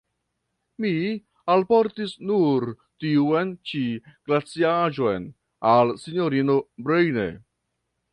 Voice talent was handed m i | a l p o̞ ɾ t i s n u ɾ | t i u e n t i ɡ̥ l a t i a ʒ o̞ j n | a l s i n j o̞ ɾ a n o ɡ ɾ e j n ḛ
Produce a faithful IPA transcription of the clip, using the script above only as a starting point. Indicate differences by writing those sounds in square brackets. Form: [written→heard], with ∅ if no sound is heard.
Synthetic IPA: m i | a l p o̞ ɾ t i s n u ɾ | t i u e n [t→t͡ʃ] i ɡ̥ l a [t→t͡s] i a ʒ o̞ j n | a l s i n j o̞ ɾ [a→i] n o [ɡ→b] ɾ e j n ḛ